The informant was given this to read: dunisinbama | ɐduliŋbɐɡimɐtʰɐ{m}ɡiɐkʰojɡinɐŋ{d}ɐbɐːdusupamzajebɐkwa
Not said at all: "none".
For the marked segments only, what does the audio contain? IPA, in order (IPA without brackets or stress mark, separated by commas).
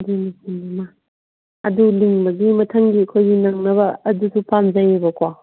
ŋ, n